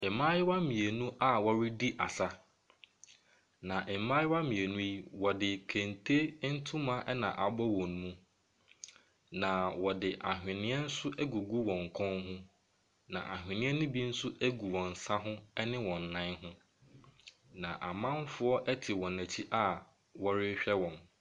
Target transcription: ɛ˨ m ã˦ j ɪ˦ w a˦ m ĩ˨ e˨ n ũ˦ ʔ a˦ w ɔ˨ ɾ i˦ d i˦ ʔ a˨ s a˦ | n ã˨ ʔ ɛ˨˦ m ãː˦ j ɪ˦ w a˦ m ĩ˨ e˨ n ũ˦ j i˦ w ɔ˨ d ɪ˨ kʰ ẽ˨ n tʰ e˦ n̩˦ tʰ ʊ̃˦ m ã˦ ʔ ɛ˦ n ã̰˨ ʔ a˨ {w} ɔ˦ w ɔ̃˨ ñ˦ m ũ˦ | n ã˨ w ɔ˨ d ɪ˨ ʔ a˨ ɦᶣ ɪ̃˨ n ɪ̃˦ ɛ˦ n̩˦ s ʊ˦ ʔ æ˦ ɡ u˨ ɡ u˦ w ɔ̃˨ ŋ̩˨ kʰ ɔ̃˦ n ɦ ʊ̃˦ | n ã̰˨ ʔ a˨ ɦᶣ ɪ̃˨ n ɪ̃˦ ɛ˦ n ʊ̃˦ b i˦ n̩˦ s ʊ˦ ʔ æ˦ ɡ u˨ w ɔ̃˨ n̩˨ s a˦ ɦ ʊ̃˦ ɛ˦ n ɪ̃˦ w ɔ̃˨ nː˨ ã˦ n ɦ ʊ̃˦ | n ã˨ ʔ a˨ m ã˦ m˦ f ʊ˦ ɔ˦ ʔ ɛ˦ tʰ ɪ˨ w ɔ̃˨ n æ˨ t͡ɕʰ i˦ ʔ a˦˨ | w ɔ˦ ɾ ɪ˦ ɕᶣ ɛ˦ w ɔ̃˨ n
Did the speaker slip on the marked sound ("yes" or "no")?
yes